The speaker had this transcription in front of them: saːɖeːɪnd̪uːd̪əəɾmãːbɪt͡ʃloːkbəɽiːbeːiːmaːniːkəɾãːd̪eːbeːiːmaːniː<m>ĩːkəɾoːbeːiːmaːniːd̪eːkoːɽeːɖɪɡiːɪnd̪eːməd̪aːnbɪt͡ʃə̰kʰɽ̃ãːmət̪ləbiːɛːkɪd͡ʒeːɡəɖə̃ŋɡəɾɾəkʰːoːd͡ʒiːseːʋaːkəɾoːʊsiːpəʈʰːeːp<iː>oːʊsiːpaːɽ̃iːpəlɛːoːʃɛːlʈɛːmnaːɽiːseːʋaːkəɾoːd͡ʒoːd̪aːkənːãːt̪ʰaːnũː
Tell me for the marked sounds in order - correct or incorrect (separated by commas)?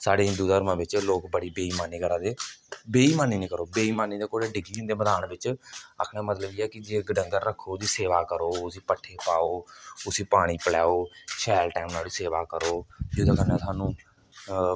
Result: incorrect, incorrect